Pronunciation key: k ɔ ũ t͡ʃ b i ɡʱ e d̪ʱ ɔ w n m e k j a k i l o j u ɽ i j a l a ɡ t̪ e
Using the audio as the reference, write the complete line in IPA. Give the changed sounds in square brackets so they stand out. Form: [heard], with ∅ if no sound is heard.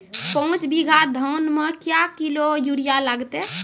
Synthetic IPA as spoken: [p] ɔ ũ t͡ʃ b i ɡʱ [a] d̪ʱ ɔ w n m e k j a k i l o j u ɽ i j a l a ɡ t̪ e